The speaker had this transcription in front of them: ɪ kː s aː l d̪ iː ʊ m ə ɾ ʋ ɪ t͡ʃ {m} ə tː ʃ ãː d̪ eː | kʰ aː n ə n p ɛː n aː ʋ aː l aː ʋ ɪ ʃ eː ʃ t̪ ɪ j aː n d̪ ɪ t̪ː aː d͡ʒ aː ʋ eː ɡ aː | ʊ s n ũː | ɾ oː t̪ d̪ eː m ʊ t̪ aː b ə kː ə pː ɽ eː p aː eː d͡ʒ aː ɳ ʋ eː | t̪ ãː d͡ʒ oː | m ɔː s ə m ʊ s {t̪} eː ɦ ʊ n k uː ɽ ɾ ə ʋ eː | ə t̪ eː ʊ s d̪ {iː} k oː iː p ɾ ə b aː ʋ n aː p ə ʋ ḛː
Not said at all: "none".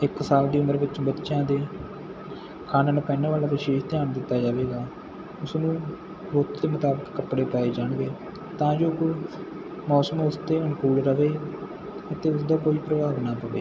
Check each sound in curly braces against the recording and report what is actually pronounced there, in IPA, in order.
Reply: b, t̪, aː

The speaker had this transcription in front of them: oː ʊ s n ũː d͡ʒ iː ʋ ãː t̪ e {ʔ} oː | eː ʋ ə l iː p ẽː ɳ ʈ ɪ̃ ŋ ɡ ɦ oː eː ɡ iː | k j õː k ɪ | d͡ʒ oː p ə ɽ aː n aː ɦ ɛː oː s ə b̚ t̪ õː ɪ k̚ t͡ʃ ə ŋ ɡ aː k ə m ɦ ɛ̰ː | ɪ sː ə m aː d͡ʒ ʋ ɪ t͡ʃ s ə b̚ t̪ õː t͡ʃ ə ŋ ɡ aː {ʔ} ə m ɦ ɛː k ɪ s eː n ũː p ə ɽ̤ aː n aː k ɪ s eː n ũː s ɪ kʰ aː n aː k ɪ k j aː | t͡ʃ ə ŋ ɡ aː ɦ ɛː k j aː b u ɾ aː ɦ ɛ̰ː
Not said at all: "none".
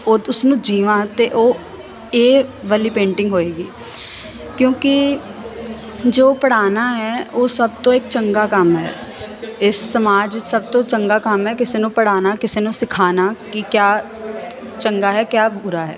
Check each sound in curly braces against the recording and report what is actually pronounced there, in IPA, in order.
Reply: ʔ, k

